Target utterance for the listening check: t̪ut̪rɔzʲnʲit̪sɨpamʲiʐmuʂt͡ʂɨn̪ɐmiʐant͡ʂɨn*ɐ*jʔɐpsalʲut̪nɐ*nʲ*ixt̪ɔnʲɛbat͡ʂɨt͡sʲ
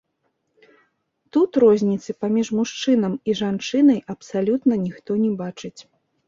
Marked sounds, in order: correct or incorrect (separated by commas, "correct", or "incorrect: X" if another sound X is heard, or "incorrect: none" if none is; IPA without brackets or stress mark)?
correct, correct